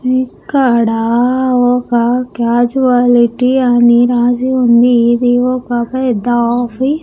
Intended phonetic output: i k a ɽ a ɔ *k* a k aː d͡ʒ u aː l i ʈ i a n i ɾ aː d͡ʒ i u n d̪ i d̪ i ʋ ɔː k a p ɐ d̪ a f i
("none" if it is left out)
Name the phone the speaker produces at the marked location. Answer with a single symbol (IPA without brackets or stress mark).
k